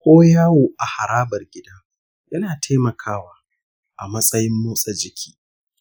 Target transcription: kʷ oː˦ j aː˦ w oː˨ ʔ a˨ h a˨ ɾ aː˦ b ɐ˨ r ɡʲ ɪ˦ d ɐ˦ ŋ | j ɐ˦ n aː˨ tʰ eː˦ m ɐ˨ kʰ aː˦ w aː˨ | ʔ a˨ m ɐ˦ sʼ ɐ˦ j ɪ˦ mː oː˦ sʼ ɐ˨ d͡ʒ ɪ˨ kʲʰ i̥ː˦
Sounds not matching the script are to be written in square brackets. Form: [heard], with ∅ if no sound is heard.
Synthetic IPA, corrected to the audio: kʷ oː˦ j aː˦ w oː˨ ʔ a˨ h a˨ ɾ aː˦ b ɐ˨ r ɡʲ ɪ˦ d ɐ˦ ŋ | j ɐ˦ n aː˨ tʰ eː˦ m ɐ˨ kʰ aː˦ w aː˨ | ʔ a˨ m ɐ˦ sʼ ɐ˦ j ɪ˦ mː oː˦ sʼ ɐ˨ d͡ʒ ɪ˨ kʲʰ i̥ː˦